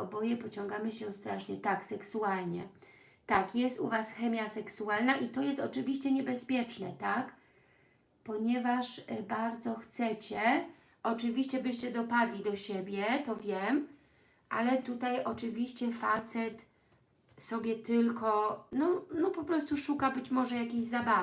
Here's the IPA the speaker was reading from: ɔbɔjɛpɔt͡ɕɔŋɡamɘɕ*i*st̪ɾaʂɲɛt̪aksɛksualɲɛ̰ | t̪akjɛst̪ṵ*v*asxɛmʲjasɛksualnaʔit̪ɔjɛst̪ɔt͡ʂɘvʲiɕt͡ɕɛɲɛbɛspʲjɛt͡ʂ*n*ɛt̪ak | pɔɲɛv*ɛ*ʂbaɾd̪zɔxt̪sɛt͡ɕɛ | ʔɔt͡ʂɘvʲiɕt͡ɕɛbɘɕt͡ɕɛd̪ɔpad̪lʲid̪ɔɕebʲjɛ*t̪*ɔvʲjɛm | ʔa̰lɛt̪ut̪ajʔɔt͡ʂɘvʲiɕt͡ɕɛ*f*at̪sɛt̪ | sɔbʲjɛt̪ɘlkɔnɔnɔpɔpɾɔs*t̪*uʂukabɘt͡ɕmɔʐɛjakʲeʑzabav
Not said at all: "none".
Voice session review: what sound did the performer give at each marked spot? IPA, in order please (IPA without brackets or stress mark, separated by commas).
ɛ, v, n, a, t̪, f, t̪